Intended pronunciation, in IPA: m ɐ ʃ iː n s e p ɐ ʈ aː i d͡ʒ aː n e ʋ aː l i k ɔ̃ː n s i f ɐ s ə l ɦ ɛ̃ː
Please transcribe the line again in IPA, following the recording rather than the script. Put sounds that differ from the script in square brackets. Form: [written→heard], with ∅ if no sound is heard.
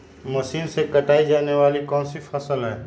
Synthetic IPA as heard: m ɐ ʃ iː n s e [p→k] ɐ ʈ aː i d͡ʒ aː n e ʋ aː l i k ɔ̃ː n s i f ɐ s ə l ɦ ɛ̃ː